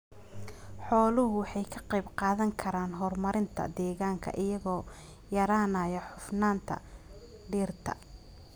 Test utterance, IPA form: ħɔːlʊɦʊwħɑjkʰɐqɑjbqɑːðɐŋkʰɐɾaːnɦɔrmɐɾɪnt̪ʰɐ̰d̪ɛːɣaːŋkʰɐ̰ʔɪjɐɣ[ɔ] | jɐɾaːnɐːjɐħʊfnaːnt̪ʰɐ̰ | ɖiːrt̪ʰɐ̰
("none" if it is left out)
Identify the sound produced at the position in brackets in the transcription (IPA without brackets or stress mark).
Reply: ɔː